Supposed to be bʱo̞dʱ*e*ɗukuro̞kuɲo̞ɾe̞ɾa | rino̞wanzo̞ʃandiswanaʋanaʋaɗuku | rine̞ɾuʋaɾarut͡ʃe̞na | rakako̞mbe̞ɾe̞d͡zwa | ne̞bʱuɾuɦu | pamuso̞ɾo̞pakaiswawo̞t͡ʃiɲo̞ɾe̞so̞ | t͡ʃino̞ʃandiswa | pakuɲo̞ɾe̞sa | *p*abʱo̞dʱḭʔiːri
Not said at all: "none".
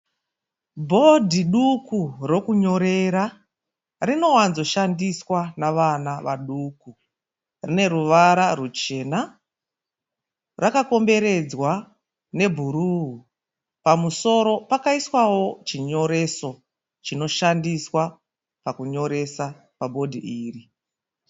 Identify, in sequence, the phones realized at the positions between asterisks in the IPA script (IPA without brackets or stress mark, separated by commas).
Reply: i, p